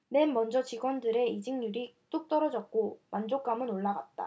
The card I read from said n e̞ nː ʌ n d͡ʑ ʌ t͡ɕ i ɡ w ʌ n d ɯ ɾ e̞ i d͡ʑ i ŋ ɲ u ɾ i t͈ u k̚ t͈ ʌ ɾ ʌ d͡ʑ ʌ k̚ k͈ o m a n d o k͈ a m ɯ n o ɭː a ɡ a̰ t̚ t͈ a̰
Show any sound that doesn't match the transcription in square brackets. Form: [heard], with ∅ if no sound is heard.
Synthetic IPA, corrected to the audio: n e̞ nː ʌ n d͡ʑ ʌ t͡ɕ i ɡ w ʌ n d ɯ ɾ e̞ i d͡ʑ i ŋ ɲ u ɾ i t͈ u k̚ t͈ ʌ ɾ ʌ d͡ʑ ʌ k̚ k͈ o m a n [d͡ʑ] o k͈ a m ɯ n o ɭː a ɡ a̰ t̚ t͈ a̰